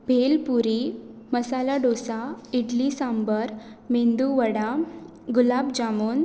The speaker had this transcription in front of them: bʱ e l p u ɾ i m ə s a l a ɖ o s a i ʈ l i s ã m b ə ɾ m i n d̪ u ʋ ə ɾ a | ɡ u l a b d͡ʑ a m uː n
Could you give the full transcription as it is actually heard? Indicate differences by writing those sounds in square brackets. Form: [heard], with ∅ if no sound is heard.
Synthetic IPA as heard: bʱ e l p u ɾ i m ə s a l a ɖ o s a i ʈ l i s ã m b ə ɾ m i n d̪ u ʋ ə [ɽ] a | ɡ u l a b d͡ʑ a m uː n

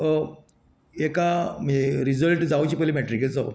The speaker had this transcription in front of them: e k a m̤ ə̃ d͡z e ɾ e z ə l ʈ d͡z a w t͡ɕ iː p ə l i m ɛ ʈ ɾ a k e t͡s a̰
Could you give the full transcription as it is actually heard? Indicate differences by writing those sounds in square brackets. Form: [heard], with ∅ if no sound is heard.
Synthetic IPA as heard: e k a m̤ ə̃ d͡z e ɾ [i] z ə l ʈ d͡z a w t͡ɕ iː p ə l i m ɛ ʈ ɾ [i] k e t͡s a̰

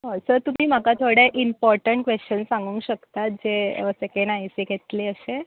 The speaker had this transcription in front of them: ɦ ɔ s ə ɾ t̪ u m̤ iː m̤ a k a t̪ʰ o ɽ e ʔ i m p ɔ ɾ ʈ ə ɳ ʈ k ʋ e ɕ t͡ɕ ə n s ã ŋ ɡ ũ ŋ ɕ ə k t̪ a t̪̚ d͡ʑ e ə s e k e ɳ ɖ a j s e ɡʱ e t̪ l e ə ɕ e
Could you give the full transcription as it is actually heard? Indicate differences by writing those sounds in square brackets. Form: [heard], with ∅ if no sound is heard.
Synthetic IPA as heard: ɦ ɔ s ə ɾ t̪ u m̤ iː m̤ a k a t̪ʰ o ɽ e ʔ i m p ɔ ɾ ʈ ə ɳ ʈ k ʋ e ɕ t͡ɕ ə n s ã ŋ ɡ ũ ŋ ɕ ə k t̪ a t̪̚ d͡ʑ e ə s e k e ɳ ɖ a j s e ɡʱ e t̪ l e ə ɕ e

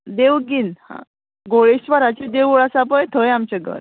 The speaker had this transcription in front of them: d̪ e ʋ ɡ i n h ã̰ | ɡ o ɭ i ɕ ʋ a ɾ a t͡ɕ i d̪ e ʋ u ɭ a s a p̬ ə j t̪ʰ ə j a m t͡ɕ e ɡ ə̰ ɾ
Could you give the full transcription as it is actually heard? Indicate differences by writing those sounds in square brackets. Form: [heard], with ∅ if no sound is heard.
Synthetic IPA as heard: d̪ e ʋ ɡ i n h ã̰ | ɡ o ɭ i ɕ ʋ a ɾ a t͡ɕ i d̪ e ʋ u ɭ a s a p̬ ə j t̪ʰ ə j a m t͡ɕ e ɡ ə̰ ɾ

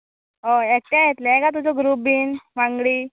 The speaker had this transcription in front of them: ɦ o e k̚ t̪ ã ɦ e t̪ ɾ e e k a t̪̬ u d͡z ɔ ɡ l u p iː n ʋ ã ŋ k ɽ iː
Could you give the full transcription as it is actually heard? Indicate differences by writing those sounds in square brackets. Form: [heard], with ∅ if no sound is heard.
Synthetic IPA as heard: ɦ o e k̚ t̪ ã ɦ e t̪ [l] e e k a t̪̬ u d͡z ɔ ɡ [ɾ] u [b] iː n ʋ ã ŋ [ɡ] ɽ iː

